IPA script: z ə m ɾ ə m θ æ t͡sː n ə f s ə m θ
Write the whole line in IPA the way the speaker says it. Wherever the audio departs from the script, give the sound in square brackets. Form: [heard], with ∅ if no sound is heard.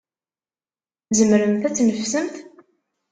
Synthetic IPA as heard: z ə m ɾ ə m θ æ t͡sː n ə f s ə m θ